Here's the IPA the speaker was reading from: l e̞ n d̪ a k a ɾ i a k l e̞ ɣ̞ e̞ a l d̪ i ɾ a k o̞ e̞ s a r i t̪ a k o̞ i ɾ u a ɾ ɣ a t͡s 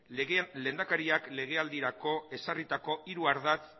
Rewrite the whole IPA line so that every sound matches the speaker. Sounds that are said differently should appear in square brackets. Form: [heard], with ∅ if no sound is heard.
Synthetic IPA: l e̞ n d̪ a k a ɾ i a k l e̞ ɣ̞ e̞ a l d̪ i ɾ a k o̞ e̞ s a r i t̪ a k o̞ i ɾ u a ɾ [ð] a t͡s